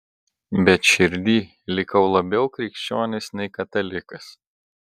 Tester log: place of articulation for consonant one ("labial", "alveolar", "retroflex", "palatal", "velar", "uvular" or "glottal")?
labial